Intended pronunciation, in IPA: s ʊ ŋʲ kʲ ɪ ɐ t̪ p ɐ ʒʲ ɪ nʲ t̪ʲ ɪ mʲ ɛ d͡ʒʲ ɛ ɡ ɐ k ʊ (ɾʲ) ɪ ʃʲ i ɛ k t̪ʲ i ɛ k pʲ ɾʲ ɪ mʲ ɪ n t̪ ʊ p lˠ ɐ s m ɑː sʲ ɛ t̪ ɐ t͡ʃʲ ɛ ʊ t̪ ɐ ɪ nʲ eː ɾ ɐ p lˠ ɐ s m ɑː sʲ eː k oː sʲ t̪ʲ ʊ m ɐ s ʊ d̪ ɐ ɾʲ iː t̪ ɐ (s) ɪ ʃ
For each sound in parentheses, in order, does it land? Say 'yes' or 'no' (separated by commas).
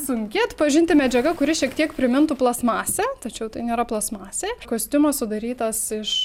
yes, yes